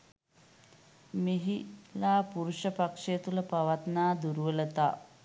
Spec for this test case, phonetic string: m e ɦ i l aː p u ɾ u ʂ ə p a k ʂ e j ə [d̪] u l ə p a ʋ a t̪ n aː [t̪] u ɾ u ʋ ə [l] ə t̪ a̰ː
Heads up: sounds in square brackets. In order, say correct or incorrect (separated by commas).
incorrect, incorrect, correct